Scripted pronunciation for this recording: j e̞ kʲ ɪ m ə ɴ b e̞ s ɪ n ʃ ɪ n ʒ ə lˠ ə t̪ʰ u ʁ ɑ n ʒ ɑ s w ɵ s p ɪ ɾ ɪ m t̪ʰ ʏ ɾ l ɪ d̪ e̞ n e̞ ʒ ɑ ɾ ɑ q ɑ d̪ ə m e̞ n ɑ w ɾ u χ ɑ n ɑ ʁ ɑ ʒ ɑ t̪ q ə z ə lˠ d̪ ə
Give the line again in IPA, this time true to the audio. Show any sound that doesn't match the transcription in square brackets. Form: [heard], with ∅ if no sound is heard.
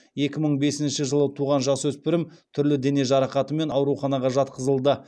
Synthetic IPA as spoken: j e̞ kʲ ɪ m ə ɴ b e̞ s ɪ n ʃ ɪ [∅] ʒ ə lˠ ə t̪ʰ u ʁ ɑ n ʒ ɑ s w ɵ s p ɪ ɾ ɪ m t̪ʰ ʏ ɾ l ɪ d̪ e̞ n e̞ ʒ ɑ ɾ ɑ q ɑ [t̪] ə m e̞ n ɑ w ɾ u χ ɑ n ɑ ʁ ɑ ʒ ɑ t̪ q ə z ə lˠ d̪ ə

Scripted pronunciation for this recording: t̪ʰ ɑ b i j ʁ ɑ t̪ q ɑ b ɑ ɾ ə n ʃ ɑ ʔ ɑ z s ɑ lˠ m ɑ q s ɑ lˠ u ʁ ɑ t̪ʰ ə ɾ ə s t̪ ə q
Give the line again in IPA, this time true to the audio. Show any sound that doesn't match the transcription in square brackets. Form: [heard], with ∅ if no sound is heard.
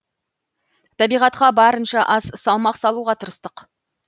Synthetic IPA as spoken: t̪ʰ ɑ b i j ʁ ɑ t̪ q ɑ b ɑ ɾ ə n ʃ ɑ ʔ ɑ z s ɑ lˠ m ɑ q s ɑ lˠ u ʁ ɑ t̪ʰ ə ɾ ə s t̪ ə q

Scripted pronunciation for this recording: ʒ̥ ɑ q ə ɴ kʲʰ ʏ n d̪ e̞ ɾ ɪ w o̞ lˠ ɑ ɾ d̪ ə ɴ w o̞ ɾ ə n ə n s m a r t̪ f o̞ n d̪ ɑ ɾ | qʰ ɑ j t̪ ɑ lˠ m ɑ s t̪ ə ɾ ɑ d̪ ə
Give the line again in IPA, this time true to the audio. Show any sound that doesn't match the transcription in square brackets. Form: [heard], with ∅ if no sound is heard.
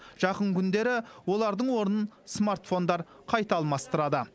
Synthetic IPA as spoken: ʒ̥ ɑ q ə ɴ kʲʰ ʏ n d̪ e̞ ɾ ɪ w o̞ lˠ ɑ ɾ d̪ ə ɴ w o̞ ɾ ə n ə n s m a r t̪ f o̞ n d̪ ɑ ɾ | qʰ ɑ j t̪ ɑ lˠ m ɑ s t̪ ə ɾ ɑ d̪ ə

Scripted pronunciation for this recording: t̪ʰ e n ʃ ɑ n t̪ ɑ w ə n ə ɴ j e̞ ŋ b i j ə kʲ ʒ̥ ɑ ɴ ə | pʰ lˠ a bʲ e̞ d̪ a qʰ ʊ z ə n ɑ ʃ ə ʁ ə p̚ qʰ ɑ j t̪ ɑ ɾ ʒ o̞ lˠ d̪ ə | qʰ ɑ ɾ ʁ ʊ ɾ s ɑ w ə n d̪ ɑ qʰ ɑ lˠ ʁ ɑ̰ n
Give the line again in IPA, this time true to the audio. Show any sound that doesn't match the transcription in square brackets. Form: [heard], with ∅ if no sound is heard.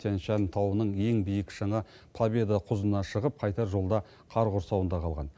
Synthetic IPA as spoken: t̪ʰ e n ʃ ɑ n [t̪ʰ] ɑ w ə n ə ɴ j e̞ ŋ b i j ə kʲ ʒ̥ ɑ ɴ [ɑ] | pʰ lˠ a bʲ e̞ d̪ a qʰ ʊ z ə n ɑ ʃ ə ʁ ə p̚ qʰ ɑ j t̪ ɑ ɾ ʒ o̞ lˠ d̪ [ɑ] | qʰ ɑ ɾ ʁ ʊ ɾ s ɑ w ə n d̪ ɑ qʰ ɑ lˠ ʁ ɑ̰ n

